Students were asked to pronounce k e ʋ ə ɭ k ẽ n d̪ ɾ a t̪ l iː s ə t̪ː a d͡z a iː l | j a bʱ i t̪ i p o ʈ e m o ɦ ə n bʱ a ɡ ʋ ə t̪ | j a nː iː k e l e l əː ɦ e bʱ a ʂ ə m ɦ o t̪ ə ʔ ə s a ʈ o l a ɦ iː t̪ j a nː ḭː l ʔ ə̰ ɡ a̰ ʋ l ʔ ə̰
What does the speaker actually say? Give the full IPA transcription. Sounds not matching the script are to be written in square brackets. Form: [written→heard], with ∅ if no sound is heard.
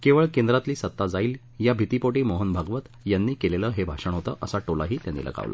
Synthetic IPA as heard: k e ʋ ə ɭ k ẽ n d̪ ɾ a t̪ l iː s ə t̪ː a d͡z a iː l | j a bʱ i t̪ i p o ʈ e m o ɦ ə n bʱ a ɡ ʋ ə t̪ | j a nː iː k e l e l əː ɦ e bʱ a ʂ ə [m→ɳ] ɦ o t̪ ə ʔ ə s a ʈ o l a ɦ iː t̪ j a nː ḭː l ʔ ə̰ ɡ a̰ ʋ l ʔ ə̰